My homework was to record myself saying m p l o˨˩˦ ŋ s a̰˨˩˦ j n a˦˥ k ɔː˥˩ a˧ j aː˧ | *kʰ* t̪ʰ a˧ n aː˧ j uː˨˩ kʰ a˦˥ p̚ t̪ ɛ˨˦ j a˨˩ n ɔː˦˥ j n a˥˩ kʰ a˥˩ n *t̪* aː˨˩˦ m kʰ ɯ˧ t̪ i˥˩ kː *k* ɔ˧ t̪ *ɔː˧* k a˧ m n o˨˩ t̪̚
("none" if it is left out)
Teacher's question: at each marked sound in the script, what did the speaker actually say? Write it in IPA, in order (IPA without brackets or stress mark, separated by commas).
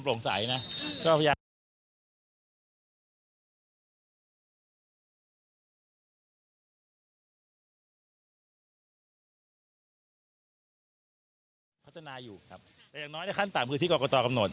pʰ, t̪, k, ɔː˧